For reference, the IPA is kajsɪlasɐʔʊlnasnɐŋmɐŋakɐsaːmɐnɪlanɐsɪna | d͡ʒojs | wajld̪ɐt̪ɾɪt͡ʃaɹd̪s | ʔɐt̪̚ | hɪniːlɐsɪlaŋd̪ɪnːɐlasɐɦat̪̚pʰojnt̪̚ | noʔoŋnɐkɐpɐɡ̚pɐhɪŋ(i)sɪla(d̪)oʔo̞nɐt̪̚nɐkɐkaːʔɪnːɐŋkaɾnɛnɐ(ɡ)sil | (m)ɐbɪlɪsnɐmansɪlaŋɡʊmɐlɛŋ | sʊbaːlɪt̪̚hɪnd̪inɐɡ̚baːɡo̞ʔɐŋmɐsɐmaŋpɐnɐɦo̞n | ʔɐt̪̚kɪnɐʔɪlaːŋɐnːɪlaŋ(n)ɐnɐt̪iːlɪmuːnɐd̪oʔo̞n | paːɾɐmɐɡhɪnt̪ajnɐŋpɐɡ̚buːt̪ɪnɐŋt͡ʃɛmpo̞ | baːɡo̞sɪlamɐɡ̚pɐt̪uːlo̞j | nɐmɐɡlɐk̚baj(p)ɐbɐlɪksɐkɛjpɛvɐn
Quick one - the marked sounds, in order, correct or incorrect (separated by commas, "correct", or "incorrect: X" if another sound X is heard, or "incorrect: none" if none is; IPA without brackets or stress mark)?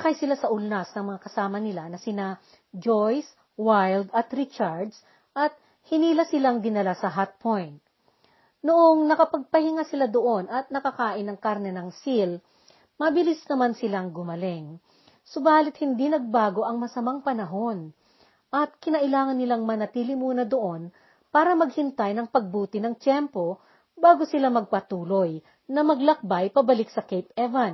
incorrect: a, correct, incorrect: ŋ, correct, incorrect: m, correct